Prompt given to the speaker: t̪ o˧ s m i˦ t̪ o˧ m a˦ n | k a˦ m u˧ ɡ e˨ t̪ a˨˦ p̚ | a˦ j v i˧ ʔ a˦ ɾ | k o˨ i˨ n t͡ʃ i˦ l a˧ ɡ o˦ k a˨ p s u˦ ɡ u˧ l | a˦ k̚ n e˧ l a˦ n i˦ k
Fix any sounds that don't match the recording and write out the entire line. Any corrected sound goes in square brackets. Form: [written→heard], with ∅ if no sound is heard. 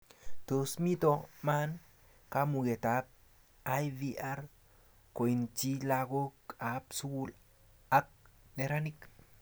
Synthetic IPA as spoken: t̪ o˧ s m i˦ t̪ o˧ m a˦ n | k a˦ m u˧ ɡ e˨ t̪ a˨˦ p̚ | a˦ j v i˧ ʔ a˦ ɾ | k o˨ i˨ n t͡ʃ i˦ l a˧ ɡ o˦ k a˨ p s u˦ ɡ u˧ l | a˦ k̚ n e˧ [l→ɾ] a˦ n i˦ k